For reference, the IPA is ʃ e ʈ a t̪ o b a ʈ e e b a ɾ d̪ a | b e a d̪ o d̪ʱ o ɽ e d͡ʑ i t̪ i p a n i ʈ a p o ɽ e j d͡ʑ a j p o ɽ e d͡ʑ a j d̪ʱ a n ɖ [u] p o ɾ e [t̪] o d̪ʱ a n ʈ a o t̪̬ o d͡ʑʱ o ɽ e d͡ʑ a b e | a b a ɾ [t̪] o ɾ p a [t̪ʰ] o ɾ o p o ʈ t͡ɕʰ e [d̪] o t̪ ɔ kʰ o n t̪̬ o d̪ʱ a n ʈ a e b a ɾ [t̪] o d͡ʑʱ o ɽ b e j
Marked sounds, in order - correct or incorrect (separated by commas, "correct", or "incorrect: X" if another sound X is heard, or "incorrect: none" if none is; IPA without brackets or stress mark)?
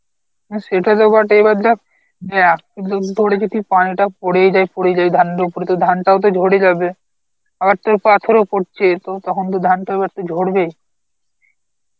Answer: incorrect: o, correct, correct, correct, incorrect: t̪, correct